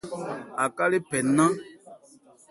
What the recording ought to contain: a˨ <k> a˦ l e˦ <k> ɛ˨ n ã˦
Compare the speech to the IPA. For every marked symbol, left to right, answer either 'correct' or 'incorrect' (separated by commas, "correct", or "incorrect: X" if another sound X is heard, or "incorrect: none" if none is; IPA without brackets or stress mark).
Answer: correct, incorrect: p